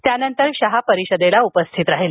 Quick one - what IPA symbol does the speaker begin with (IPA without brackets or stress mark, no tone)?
t̪